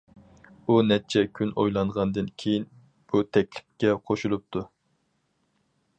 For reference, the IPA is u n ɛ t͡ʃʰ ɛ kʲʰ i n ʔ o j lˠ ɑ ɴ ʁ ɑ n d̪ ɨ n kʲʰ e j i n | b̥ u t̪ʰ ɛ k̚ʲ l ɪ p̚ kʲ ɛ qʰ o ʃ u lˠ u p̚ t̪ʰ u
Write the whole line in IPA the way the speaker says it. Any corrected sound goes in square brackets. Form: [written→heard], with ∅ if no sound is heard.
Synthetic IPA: u n ɛ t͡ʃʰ ɛ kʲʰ [i→y] n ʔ o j lˠ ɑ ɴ ʁ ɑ n d̪ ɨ n kʲʰ e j i n | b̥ u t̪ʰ ɛ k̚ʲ l ɪ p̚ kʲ ɛ qʰ o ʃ u lˠ u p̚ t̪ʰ u